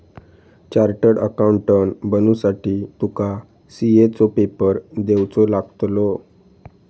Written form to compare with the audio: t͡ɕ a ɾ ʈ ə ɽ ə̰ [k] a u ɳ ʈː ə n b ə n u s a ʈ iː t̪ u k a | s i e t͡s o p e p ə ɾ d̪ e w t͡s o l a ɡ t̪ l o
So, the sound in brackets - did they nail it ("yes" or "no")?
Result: yes